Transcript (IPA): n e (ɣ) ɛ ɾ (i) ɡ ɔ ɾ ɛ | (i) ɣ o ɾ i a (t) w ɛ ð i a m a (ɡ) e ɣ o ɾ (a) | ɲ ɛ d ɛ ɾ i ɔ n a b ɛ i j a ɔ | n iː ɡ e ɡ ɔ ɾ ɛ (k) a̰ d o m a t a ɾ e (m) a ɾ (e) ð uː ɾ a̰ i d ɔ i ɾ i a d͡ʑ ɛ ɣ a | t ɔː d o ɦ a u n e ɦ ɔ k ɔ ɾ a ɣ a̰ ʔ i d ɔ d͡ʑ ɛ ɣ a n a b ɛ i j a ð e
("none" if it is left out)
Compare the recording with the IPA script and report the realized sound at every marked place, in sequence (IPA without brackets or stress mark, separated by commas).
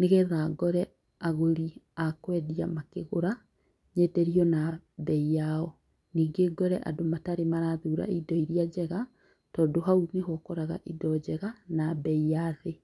ɣ, a, a, k, k, a, ʔ, m, a